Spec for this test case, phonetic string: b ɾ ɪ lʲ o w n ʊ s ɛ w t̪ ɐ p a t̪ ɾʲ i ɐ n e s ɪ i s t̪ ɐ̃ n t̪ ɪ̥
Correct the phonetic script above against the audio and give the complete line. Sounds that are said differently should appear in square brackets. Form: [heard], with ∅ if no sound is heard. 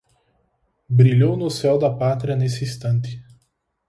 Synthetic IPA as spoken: b ɾ [i] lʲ o w n ʊ s ɛ w [d̪] ɐ p a t̪ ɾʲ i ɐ n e s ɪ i s t̪ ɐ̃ n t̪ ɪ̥